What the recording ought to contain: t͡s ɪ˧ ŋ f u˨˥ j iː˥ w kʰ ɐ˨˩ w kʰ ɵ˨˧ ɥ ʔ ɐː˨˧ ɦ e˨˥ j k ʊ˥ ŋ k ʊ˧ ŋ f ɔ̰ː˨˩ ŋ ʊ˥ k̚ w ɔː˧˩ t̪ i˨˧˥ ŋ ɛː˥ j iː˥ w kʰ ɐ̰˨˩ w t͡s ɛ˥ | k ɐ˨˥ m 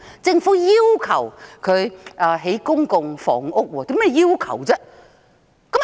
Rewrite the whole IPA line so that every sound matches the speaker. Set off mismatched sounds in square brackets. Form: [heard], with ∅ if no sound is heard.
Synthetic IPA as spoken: t͡s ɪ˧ ŋ f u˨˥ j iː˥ w kʰ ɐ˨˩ w kʰ ɵ˨˧ ɥ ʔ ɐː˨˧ ɦ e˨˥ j k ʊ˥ ŋ k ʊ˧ ŋ f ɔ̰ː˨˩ ŋ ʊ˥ k̚ w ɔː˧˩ t̪ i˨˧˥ [m] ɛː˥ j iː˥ w kʰ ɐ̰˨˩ w t͡s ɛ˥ | k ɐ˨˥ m